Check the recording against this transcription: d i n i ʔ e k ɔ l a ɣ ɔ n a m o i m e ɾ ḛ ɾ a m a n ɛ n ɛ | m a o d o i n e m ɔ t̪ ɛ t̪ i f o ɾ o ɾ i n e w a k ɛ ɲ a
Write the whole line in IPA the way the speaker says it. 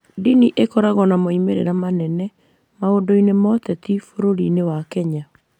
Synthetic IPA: d i n i ʔ e k ɔ ɾ a ɣ ɔ n a m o i m e ɾ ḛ ɾ a m a n ɛ n ɛ | m a o d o i n e m ɔ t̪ ɛ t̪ i f o ɾ o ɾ i n e w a k ɛ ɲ a

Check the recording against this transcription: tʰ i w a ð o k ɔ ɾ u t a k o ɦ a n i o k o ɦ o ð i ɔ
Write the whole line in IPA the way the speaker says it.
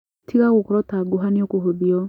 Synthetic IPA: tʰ i ɣ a ɣ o k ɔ ɾ ɔ t a ɡ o ɦ a n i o k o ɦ o ð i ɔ

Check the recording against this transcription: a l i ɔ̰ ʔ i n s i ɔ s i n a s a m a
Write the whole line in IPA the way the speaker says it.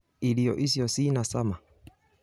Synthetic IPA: i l i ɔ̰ ʔ i s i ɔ s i n a s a m a

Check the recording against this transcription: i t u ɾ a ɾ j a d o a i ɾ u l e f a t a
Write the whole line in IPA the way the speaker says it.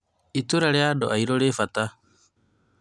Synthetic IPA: i t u ɾ a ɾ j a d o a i ɾ o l e f a t a

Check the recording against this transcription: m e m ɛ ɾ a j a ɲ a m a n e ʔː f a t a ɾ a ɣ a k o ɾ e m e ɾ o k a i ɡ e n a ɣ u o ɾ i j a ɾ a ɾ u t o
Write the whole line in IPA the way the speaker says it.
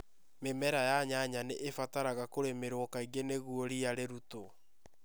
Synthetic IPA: m e m ɛ ɾ a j a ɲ a ɲ a n e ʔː f a t a ɾ a ɣ a k o ɾ e m e ɾ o k a i ɡ e n e ɣ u o ɾ i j a ɾ e ɾ u t o

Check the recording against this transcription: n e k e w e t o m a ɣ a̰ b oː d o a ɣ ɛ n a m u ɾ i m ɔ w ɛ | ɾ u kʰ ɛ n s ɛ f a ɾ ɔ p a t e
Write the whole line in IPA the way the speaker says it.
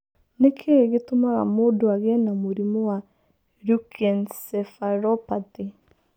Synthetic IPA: n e kʰ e ɣ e t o m a ɣ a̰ m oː d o a ɣ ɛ n a m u ɾ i m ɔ w a | ɾ u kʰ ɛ n s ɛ f a ɾ ɔ p a t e

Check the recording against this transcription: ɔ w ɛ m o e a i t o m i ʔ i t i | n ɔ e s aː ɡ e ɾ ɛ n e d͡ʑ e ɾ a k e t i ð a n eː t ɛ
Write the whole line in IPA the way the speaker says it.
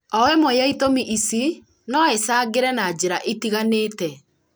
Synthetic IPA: ɔ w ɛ m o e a i t o m i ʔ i s i | n ɔ e s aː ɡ e ɾ ɛ n a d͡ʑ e ɾ a ʔ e t i ɣ a n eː t ɛ

